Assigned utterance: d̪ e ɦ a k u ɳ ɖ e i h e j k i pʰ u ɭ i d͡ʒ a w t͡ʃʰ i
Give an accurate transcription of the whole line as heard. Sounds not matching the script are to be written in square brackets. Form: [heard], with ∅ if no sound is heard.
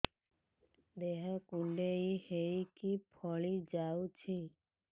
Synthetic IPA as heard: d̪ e ɦ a k u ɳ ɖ e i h e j k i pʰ [ɔ] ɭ i d͡ʒ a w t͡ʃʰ i

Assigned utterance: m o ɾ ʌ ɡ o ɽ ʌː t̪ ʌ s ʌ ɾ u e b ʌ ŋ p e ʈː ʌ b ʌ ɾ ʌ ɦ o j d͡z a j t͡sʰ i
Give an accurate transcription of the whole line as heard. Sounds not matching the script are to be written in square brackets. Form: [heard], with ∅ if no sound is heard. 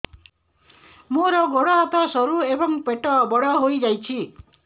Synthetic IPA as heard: m o ɾ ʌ ɡ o ɽ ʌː t̪ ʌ s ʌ ɾ u e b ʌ ŋ p e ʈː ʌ b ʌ [ɽ] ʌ ɦ o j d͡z a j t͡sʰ i

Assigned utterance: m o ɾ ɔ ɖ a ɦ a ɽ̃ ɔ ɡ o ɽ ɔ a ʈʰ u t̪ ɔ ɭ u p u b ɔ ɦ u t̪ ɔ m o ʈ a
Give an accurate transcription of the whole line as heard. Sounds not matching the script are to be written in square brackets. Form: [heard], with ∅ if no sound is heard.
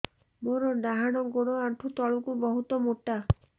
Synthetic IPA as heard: m o ɾ ɔ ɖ a ɦ a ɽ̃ ɔ ɡ o ɽ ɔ a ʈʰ u t̪ ɔ ɭ u [k] u b ɔ ɦ u t̪ ɔ m o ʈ a

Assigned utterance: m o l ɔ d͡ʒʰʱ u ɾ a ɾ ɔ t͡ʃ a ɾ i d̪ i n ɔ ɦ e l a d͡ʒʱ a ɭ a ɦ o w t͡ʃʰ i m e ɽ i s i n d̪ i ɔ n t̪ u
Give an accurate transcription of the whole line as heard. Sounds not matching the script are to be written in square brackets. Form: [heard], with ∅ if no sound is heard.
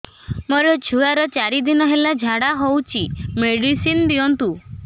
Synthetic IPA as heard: m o [ɾ] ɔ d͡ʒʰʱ u [∅] a ɾ ɔ t͡ʃ a ɾ i d̪ i n ɔ ɦ e l a d͡ʒʱ a [ɽ] a ɦ o w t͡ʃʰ i m e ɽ i s i n d̪ i ɔ n t̪ u

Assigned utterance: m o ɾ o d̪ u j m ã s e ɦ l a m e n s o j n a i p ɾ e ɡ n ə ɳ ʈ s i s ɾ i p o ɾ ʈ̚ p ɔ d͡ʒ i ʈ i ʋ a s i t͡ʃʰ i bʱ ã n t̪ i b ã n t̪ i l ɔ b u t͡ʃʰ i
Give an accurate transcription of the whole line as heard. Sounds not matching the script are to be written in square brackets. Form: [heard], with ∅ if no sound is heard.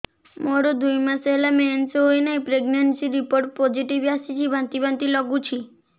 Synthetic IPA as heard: m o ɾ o d̪ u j m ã s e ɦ l a m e n s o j n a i p ɾ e ɡ n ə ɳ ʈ s i [∅] ɾ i p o ɾ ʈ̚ p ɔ d͡ʒ i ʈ i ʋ a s i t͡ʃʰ i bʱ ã n t̪ i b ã n t̪ i l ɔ [ɡ] u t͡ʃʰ i

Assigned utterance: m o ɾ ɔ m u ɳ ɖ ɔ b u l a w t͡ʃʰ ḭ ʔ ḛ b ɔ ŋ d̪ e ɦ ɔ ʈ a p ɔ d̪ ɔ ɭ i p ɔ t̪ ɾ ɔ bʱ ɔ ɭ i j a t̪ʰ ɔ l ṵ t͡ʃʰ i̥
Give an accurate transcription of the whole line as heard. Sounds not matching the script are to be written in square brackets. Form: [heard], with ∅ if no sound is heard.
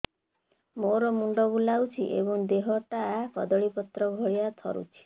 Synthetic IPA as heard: m o ɾ ɔ m u ɳ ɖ ɔ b u l a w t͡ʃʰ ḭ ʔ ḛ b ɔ ŋ d̪ e ɦ ɔ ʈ a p ɔ d̪ ɔ ɭ i p ɔ t̪ ɾ ɔ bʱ ɔ ɭ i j a t̪ʰ ɔ [ɾ] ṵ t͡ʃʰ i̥

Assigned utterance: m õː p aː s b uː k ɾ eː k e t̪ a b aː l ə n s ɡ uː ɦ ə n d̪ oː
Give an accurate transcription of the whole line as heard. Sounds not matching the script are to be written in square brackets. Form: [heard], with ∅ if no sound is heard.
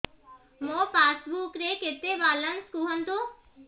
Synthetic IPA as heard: m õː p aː s b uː k ɾ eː k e t̪ [e] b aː l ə n s [k] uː ɦ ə n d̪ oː

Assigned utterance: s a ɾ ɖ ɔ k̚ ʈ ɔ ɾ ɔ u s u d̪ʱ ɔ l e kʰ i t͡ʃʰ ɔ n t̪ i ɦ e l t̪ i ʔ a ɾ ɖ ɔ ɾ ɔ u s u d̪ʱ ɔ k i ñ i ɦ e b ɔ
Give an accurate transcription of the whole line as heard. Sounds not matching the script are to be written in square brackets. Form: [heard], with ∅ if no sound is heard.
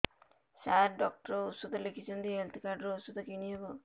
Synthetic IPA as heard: s a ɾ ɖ ɔ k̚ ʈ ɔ ɾ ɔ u s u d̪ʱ ɔ l e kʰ i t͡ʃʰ ɔ n t̪ i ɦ e l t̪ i [k] a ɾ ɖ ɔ ɾ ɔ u s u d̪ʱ ɔ k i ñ i ɦ e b ɔ

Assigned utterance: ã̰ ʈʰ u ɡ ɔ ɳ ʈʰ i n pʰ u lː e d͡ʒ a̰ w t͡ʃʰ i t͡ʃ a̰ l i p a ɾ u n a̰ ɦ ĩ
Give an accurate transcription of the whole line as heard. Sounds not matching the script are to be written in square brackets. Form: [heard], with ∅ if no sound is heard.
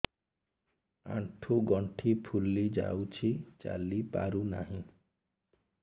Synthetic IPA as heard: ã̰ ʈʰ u ɡ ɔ ɳ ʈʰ i [∅] pʰ u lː [i] d͡ʒ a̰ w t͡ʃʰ i t͡ʃ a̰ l i p a ɾ u n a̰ ɦ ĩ

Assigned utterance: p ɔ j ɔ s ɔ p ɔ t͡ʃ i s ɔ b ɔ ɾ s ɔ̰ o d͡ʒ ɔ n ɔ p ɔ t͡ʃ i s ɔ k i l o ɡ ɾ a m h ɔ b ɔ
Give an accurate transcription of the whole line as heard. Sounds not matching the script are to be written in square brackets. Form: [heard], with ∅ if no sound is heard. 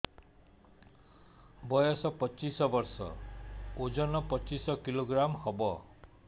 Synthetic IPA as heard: [b] ɔ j ɔ s ɔ p ɔ t͡ʃ i s ɔ b ɔ ɾ s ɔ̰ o d͡ʒ ɔ n ɔ p ɔ t͡ʃ i s ɔ k i l o ɡ ɾ a m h ɔ b ɔ

